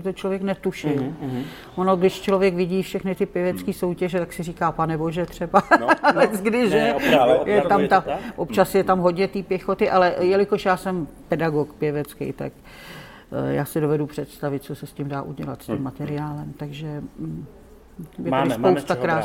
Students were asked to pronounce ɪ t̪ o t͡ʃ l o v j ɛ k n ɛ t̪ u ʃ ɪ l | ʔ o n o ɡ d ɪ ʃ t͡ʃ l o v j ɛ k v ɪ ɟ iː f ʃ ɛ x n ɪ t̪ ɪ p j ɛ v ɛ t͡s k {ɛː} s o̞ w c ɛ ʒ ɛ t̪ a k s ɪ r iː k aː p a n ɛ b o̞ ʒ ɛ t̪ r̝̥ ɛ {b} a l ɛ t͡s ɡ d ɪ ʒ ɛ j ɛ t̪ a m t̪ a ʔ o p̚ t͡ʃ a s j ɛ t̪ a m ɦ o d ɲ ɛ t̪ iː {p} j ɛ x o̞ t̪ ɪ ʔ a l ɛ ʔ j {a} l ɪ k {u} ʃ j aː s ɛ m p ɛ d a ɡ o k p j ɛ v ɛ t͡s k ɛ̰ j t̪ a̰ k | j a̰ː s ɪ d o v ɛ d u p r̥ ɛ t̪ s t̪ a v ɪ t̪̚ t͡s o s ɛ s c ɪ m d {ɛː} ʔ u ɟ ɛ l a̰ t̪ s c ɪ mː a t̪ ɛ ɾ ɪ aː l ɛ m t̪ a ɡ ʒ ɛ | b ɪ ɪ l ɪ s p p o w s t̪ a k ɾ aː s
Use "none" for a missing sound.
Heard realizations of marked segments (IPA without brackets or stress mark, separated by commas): iː, b, p, ɛ, o, aː